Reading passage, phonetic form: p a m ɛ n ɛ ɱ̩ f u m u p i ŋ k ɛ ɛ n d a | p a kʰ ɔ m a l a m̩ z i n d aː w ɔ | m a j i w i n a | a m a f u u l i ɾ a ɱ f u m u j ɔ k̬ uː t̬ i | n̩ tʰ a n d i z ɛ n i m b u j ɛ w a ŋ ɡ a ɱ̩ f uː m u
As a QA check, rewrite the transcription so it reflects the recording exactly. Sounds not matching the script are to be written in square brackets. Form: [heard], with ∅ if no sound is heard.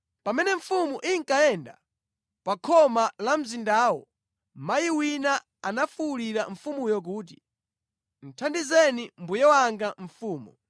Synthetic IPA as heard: p a m ɛ n ɛ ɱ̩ f u m u [ʔ] i ŋ k [a] ɛ n d a | p a kʰ ɔ m a l a m̩ z i n d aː w ɔ | m a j i w i n a | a [n] a f u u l i ɾ a ɱ f u m u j ɔ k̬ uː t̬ i | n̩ tʰ a n d i z ɛ n i m b u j ɛ w a ŋ ɡ a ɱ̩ f uː m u